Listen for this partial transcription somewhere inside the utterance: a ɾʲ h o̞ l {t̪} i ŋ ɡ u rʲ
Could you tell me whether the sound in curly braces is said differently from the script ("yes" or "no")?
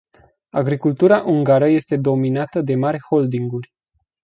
yes